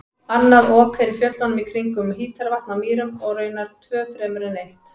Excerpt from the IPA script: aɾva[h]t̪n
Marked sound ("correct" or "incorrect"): correct